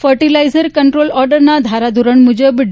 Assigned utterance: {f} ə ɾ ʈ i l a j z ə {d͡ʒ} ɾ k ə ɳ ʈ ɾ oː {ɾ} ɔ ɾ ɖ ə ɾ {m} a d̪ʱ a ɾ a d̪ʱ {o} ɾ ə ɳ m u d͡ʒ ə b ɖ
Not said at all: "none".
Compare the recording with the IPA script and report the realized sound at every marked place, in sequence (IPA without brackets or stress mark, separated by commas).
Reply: f, none, l, n, u